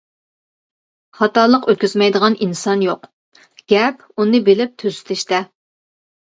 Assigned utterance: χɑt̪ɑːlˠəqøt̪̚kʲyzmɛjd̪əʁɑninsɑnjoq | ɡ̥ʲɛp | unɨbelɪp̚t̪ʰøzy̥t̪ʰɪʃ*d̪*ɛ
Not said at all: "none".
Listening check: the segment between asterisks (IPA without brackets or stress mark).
t̪